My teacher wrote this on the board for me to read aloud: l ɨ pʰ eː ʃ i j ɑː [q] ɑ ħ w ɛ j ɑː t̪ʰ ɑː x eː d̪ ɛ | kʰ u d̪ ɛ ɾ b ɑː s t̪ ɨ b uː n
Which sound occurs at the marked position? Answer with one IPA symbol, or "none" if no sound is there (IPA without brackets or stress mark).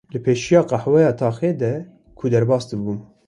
q